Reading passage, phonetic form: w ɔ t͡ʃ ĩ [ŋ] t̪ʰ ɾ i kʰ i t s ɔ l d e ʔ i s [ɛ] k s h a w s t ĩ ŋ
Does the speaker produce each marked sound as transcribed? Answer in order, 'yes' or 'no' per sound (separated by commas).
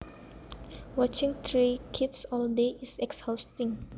yes, yes